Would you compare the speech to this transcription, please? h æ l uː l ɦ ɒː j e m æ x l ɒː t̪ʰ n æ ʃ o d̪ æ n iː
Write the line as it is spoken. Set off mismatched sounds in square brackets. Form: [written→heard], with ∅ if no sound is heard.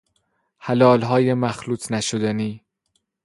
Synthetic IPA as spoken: h æ l [uː→ɒː] l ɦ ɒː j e m æ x l [ɒː→uː] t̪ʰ n æ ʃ o d̪ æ n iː